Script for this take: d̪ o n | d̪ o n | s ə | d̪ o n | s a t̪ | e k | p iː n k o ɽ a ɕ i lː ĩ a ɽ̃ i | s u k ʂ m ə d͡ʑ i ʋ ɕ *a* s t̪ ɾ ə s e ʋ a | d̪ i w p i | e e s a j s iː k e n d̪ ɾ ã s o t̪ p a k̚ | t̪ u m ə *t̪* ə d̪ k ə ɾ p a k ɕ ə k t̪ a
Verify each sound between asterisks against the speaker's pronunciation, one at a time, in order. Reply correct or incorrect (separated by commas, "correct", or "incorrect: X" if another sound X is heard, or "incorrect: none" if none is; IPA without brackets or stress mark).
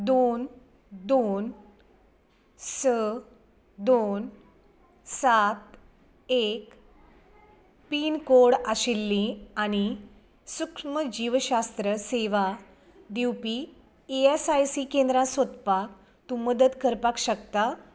correct, incorrect: d̪